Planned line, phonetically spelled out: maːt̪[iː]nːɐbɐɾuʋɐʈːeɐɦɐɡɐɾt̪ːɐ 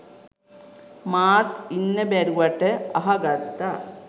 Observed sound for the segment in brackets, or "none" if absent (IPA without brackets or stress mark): i